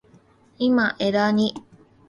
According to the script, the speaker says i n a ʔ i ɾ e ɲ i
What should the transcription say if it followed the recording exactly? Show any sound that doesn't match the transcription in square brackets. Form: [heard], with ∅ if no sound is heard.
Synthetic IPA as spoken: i [m] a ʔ [e] ɾ [a] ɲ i